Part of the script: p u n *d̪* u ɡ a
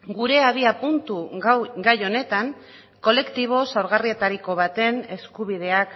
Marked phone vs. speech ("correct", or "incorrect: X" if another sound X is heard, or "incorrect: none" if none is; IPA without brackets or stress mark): incorrect: t̪